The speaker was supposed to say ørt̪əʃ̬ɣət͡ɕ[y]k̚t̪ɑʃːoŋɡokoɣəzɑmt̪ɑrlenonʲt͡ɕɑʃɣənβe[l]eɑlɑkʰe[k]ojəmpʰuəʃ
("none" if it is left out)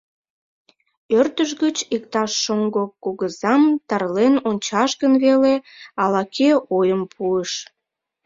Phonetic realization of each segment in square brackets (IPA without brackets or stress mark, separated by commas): i, l, none